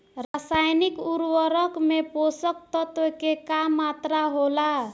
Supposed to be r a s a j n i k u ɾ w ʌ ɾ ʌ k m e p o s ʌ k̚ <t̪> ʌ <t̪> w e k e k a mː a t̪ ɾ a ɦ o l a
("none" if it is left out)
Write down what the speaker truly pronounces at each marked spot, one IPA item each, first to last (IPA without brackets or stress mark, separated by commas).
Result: t̪, t̪